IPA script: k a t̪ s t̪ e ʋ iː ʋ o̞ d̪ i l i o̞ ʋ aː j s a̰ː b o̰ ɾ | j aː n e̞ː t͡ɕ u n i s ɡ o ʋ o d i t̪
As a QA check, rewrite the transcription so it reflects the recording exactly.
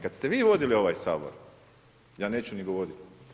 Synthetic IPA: k a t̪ s t̪ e ʋ iː ʋ o̞ d̪ i l i o̞ ʋ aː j s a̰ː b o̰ ɾ | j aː n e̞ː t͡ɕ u n i ɡ o ʋ o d i t̪